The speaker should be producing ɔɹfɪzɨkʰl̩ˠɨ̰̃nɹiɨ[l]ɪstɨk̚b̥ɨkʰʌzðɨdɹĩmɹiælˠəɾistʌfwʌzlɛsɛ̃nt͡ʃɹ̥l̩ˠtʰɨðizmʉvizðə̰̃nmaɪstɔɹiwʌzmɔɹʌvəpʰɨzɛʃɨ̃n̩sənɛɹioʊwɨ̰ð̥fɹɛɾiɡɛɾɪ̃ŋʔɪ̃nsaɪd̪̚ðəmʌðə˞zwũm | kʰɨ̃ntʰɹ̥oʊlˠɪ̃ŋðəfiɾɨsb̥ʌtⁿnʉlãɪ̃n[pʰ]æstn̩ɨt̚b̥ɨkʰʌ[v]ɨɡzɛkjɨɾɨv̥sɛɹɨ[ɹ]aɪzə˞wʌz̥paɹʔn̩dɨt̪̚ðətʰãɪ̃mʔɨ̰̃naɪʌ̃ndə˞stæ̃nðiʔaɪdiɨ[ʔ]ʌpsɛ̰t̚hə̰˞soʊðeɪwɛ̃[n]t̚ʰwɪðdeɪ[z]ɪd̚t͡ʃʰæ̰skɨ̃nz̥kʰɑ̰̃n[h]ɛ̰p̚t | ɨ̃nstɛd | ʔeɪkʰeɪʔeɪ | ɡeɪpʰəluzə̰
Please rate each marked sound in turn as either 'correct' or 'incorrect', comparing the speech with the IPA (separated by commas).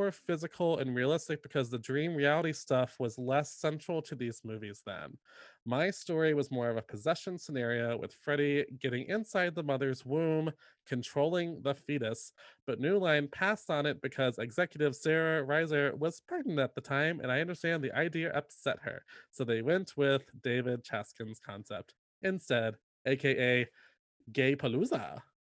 correct, correct, incorrect, correct, correct, correct, incorrect, incorrect